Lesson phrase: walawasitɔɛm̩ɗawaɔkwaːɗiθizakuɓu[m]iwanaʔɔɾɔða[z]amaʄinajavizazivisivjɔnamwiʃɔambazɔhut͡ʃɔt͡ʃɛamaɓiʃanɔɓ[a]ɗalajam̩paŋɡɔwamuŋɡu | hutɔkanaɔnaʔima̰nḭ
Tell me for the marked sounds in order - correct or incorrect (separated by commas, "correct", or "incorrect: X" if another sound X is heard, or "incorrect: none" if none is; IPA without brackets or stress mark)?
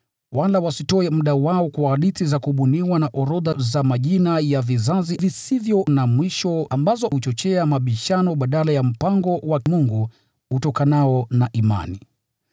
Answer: incorrect: n, correct, correct